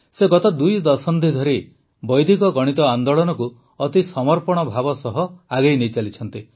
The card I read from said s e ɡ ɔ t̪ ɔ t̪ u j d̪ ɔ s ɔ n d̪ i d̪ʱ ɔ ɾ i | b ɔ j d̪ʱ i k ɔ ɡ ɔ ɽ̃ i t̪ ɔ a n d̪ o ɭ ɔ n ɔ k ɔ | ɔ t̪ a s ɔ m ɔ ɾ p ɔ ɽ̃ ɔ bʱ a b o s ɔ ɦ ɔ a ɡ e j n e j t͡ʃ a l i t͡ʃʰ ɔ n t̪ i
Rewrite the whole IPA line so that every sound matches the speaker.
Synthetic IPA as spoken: s e ɡ ɔ t̪ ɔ d̪ u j d̪ ɔ s ɔ n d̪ i d̪ʱ ɔ ɾ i | b ɔ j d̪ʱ i k ɔ ɡ ɔ ɽ̃ i t̪ ɔ a n d̪ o ɭ ɔ n ɔ k u | ɔ t̪ i s ɔ m ɔ ɾ p ɔ ɽ̃ ɔ bʱ a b ɔ s ɔ ɦ ɔ a ɡ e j n e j t͡ʃ a l i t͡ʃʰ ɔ n t̪ i

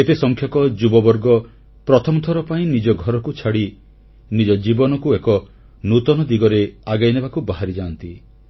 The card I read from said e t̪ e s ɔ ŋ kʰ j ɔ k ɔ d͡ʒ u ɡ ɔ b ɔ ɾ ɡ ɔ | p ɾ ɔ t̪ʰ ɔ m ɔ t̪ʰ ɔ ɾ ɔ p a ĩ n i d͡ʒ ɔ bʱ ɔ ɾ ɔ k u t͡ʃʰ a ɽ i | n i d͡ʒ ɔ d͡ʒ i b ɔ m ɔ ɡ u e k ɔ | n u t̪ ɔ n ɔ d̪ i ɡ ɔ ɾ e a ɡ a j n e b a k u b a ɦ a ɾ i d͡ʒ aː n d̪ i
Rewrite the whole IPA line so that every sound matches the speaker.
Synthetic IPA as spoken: e t̪ e s ɔ ŋ kʰ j ɔ k ɔ d͡ʒ u b ɔ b ɔ ɾ ɡ ɔ | p ɾ ɔ t̪ʰ ɔ m ɔ t̪ʰ ɔ ɾ ɔ p a ĩ n i d͡ʒ ɔ ɡʱ ɔ ɾ ɔ k u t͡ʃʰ a ɽ i | n i d͡ʒ ɔ d͡ʒ i b ɔ n ɔ k u e k ɔ | n u t̪ ɔ n ɔ d̪ i ɡ ɔ ɾ e a ɡ a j n e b a k u b a ɦ a ɾ i d͡ʒ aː n t̪ i

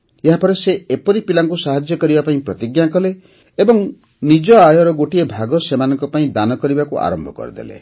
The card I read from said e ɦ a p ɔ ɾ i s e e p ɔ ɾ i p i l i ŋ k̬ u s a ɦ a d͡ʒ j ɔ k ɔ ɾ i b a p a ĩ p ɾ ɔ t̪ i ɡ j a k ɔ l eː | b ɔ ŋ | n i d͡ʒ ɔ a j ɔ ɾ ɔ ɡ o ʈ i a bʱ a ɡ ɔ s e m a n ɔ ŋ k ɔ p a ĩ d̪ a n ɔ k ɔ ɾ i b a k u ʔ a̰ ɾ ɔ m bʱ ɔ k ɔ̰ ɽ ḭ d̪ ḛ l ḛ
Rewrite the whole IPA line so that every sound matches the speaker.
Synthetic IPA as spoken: e ɦ a p ɔ ɾ e s e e p ɔ ɾ i p i l a ŋ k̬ u s a ɦ a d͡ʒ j ɔ k ɔ ɾ i b a p a ĩ p ɾ ɔ t̪ i ɡ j a k ɔ l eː | b ɔ ŋ | n i d͡ʒ ɔ a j ɔ ɾ ɔ ɡ o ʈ i e bʱ a ɡ ɔ s e m a n ɔ ŋ k ɔ p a ĩ d̪ a n ɔ k ɔ ɾ i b a k u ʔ a̰ ɾ ɔ m bʱ ɔ k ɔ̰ ɾ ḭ d̪ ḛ l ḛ

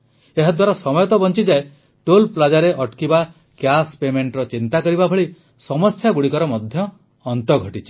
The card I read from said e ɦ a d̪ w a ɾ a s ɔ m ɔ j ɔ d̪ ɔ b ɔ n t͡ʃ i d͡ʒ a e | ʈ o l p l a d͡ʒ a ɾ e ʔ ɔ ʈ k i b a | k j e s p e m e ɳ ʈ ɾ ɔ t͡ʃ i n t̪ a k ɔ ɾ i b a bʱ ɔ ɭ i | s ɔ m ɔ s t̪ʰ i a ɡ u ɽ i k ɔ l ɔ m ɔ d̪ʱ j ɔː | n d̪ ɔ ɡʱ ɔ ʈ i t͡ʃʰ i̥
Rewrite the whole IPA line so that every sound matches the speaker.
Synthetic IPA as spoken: e ɦ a d̪ w a ɾ a s ɔ m ɔ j ɔ t̪ ɔ b ɔ n t͡ʃ i d͡ʒ a e | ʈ o l p l a d͡ʒ a ɾ e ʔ ɔ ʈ k i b a | k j a s p e m e ɳ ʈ ɾ ɔ t͡ʃ i n t̪ a k ɔ ɾ i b a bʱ ɔ ɭ i | s ɔ m ɔ s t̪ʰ j a ɡ u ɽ i k ɔ ɾ ɔ m ɔ d̪ʱ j ɔː | n t̪ ɔ ɡʱ ɔ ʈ i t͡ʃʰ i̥

